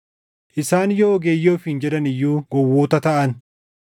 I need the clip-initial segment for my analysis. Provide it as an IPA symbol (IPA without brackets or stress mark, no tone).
ʔ